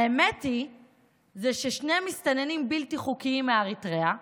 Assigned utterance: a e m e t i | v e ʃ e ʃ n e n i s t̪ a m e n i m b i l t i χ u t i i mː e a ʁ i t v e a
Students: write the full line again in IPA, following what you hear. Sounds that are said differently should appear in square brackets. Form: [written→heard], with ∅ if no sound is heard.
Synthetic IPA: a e m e t i | [v→z] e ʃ e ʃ n e [n→m] i s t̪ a [m→n] e n i m b i l t i χ u [t→k] i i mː e a ʁ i t [v→ʁ] e a